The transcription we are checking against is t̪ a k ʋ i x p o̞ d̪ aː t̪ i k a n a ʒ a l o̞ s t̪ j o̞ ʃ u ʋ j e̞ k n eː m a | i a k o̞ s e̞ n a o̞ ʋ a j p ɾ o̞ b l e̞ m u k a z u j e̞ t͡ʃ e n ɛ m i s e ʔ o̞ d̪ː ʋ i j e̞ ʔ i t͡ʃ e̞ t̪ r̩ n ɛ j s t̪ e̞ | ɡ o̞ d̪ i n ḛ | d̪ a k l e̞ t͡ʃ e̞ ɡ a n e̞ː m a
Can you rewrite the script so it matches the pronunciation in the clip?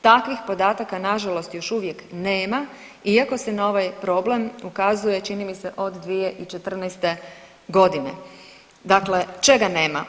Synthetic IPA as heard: t̪ a k ʋ i x p o̞ d̪ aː t̪ a k a n a ʒ a l o̞ s t̪ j o̞ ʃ u ʋ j e̞ k n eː m a | i a k o̞ s e̞ n a o̞ ʋ a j p ɾ o̞ b l e̞ m u k a z u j e̞ t͡ʃ i n i m i s e ʔ o̞ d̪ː ʋ i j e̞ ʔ i t͡ʃ e̞ t̪ r̩ n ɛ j s t̪ e̞ | ɡ o̞ d̪ i n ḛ | d̪ a k l e̞ t͡ʃ e̞ ɡ a n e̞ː m a